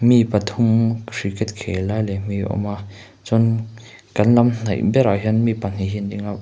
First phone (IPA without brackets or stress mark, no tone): m